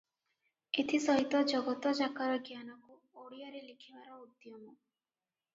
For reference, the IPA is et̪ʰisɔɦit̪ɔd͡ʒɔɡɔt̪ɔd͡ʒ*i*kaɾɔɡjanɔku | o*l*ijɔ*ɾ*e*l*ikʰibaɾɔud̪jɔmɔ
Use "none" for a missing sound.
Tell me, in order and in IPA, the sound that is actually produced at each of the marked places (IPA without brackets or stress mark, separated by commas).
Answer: a, ɽ, ɾ, l